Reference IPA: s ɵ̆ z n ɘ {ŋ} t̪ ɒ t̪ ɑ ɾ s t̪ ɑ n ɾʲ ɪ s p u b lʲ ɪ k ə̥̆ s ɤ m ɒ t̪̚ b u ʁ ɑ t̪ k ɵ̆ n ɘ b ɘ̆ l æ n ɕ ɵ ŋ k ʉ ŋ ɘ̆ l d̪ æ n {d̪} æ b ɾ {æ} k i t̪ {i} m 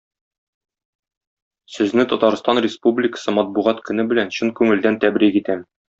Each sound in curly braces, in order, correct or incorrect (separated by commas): incorrect, incorrect, incorrect, incorrect